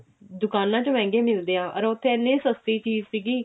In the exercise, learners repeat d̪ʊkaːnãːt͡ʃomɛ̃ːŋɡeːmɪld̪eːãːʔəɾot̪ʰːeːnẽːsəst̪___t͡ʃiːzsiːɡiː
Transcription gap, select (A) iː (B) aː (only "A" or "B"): A